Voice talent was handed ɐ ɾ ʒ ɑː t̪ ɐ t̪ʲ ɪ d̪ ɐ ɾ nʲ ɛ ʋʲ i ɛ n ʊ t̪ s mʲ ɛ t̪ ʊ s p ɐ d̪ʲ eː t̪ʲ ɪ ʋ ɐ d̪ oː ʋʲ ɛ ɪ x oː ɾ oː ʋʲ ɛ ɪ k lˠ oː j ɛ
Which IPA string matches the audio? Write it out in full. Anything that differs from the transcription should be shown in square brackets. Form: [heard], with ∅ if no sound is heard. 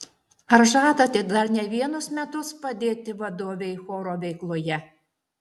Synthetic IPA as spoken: ɐ ɾ ʒ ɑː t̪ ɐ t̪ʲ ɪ d̪ ɐ ɾ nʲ ɛ ʋʲ i ɛ n ʊ [∅] s mʲ ɛ t̪ ʊ s p ɐ d̪ʲ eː t̪ʲ ɪ ʋ ɐ d̪ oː ʋʲ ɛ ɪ x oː ɾ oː ʋʲ ɛ ɪ k lˠ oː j ɛ